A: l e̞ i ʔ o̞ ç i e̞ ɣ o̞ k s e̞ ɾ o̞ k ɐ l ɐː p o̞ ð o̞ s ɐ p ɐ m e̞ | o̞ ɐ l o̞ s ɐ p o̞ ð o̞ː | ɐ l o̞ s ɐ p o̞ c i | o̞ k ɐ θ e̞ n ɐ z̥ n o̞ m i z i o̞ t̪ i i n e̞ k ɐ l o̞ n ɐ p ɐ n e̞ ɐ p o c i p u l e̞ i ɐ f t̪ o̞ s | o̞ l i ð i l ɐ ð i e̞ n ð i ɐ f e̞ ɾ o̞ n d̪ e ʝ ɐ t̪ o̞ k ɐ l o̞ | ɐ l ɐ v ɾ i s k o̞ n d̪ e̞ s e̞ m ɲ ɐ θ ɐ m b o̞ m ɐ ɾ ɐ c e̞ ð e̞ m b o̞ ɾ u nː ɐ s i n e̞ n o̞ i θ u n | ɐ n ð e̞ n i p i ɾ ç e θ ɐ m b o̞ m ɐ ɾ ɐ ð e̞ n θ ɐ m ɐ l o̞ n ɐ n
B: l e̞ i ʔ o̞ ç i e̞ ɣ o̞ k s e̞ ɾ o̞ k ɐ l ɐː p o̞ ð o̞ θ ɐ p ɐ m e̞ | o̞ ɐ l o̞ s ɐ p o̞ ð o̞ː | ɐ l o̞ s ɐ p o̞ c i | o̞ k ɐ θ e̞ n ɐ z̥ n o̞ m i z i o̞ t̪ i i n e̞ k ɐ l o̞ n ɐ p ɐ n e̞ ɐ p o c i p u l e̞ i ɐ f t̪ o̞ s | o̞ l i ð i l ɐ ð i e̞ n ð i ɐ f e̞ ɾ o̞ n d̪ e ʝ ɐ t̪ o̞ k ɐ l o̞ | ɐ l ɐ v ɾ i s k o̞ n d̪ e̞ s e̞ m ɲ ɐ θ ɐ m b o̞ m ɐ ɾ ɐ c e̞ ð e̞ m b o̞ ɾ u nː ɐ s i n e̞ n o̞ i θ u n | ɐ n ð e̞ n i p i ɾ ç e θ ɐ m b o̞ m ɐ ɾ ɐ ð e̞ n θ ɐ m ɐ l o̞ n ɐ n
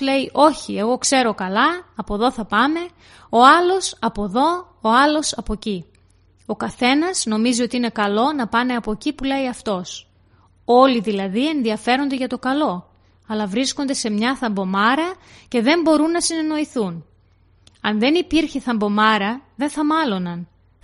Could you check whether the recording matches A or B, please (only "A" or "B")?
B